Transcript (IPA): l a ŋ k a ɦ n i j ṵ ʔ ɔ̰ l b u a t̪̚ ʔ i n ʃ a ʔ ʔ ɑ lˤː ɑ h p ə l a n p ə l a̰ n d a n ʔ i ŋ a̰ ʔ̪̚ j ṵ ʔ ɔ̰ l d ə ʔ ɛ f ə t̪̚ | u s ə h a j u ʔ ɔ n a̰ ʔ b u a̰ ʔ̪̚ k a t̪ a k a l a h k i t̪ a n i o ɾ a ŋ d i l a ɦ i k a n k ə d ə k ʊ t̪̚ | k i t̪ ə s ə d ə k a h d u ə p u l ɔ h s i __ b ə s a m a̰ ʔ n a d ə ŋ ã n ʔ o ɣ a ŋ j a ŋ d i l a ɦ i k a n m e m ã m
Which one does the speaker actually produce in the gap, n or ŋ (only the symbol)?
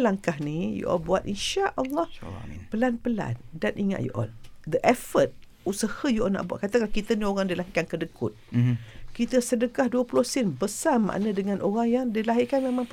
n